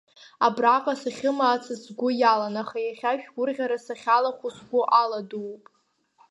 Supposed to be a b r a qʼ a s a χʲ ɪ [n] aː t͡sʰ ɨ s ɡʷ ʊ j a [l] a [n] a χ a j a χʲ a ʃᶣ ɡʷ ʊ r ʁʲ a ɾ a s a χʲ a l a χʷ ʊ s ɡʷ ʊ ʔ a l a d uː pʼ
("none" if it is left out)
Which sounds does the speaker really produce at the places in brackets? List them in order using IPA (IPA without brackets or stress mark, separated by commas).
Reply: m, l, n